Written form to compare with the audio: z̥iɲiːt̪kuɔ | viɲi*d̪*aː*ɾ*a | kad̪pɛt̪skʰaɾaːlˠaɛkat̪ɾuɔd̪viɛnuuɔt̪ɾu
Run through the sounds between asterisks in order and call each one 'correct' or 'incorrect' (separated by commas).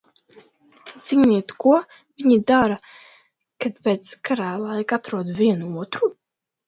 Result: correct, correct